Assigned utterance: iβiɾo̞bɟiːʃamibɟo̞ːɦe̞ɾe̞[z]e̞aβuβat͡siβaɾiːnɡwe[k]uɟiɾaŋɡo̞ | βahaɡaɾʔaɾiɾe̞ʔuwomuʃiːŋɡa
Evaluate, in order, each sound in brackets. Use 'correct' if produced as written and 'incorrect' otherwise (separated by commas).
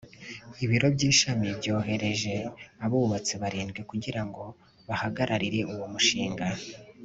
incorrect, correct